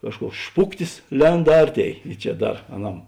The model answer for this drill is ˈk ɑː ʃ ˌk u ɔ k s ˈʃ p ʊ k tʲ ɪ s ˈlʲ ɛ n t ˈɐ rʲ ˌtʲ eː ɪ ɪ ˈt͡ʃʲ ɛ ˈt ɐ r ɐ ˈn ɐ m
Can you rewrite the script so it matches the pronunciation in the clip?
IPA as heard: ˈk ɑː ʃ ˌk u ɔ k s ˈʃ p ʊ k tʲ ɪ s ˈlʲ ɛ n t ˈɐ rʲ ˌtʲ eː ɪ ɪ ˈt͡ʃʲ ɛ ˈd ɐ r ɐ ˈn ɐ m